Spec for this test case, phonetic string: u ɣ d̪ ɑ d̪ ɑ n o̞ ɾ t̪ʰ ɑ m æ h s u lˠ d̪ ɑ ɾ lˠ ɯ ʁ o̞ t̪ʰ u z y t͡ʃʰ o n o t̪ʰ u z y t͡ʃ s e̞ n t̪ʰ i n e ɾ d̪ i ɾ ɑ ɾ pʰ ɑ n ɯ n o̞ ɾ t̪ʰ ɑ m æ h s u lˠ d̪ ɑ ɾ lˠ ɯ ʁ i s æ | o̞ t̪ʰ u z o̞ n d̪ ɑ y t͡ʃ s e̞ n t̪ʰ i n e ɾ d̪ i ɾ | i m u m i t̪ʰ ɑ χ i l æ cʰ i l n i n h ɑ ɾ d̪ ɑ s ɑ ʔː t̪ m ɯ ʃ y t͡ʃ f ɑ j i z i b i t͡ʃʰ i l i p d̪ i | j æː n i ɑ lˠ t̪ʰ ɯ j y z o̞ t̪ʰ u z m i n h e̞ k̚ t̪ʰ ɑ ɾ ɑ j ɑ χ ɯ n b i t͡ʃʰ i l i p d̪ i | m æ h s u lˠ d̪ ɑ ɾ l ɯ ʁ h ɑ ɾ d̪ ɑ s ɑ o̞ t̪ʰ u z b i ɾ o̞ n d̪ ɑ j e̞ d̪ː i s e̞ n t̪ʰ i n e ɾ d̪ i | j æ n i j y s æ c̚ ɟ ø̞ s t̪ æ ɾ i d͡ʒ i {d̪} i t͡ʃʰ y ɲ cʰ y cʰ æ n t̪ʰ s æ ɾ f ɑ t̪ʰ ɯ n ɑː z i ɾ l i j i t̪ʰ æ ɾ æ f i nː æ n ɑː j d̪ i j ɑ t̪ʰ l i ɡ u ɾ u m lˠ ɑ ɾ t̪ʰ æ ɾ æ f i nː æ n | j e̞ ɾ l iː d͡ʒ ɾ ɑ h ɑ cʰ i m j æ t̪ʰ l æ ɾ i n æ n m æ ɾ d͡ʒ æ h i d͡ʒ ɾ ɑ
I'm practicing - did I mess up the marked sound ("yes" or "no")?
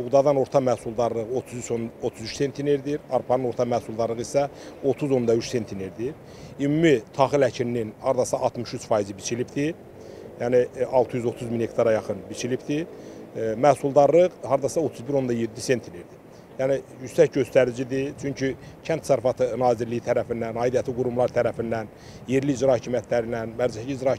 no